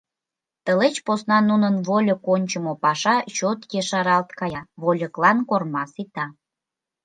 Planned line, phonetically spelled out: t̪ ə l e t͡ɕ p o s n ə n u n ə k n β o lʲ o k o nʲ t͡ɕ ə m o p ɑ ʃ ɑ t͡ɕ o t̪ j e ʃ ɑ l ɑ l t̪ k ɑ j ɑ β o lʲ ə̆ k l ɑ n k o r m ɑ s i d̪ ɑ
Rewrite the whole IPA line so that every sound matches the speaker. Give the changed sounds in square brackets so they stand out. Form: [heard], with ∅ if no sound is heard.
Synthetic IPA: t̪ ə l e t͡ɕ p o s n [ɑ] n u n ə [∅] n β o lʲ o k o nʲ t͡ɕ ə m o p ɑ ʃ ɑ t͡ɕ o t̪ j e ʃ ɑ [ɾ] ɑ l t̪ k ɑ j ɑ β o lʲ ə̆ k l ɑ n k o r m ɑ s i [t̪] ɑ